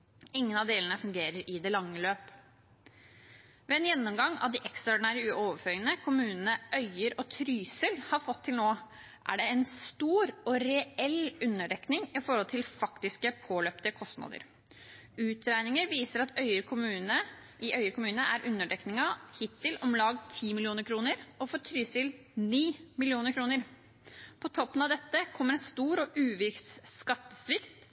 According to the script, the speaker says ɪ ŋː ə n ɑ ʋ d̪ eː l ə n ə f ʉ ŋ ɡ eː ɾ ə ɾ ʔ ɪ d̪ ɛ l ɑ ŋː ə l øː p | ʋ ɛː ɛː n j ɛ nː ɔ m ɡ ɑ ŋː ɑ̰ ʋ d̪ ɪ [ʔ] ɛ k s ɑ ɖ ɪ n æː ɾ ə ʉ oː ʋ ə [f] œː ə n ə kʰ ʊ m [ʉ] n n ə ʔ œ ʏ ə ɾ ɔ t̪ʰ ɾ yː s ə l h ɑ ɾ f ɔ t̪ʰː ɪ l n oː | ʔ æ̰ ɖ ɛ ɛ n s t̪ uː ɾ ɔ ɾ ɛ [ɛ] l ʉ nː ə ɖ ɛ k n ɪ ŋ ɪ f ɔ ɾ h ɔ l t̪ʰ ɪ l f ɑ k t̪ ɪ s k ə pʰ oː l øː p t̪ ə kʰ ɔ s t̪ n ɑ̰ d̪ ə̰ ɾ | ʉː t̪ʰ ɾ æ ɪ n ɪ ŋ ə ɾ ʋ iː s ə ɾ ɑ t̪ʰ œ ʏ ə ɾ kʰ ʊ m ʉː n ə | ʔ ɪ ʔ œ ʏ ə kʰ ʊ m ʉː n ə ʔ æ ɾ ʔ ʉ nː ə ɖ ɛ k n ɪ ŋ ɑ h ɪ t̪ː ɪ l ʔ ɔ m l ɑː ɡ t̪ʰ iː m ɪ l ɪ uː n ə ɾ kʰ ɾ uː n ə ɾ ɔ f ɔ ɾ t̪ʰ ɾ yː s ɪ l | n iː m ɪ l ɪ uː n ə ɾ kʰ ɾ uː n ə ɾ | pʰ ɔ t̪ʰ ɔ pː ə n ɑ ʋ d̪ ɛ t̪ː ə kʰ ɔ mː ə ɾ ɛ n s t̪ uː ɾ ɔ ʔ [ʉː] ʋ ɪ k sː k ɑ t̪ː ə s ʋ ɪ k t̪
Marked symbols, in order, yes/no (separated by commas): yes, yes, no, yes, yes